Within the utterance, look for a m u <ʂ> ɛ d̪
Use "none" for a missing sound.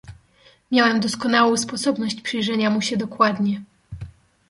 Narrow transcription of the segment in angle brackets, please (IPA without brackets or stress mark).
ɕ